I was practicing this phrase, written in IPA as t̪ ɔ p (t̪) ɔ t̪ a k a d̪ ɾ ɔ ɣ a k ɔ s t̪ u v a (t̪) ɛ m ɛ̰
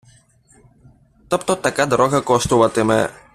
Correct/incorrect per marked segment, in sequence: correct, correct

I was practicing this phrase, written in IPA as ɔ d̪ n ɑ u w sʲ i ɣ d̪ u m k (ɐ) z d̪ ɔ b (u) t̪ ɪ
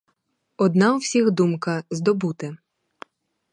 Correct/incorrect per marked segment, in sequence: correct, correct

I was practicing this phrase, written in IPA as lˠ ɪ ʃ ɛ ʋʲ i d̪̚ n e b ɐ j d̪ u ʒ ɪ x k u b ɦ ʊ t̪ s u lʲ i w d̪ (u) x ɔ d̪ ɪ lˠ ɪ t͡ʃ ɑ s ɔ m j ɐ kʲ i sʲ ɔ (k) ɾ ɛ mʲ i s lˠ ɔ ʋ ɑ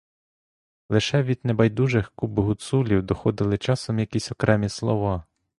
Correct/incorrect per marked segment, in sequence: incorrect: ɔ, correct

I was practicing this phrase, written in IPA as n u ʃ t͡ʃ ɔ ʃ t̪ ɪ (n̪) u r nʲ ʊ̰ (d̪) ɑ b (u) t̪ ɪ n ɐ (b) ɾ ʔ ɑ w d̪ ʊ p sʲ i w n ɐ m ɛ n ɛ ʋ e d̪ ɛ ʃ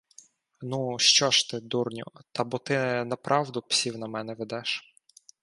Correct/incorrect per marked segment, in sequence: incorrect: d̪, incorrect: t̪, incorrect: ɔ, incorrect: p

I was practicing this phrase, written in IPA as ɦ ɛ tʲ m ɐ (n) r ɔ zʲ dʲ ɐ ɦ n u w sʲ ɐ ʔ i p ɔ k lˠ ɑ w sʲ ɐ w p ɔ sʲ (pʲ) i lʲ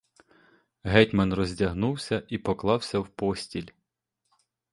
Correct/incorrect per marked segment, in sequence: correct, incorrect: tʲ

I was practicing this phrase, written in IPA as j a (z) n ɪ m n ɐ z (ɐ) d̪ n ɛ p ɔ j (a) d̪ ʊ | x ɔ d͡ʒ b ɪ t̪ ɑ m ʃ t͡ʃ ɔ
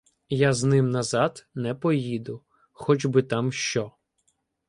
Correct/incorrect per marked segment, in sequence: correct, incorrect: ɑ, incorrect: i

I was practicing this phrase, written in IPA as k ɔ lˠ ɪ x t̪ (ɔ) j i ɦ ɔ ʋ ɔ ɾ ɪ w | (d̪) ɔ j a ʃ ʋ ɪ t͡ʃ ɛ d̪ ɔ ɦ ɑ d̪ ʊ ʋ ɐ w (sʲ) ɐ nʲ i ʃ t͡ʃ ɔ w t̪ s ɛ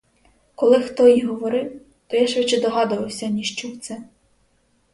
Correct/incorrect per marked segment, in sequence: correct, incorrect: t̪, correct

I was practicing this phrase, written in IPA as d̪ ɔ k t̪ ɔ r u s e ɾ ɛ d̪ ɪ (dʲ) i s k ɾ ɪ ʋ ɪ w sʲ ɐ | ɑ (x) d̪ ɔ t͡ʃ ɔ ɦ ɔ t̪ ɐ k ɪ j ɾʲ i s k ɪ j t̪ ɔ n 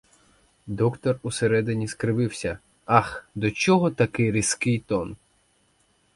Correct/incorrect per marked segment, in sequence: incorrect: nʲ, correct

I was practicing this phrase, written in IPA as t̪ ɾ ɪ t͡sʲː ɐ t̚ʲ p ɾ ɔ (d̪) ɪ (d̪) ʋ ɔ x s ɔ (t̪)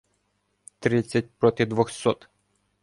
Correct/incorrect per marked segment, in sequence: incorrect: t̪, correct, correct

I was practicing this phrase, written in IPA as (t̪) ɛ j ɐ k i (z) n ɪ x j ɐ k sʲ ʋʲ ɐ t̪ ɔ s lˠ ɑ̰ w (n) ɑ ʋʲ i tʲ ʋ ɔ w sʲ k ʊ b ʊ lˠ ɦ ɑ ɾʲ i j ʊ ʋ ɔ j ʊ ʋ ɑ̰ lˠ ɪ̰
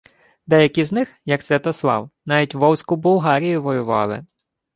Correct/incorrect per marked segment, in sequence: incorrect: d̪, correct, correct

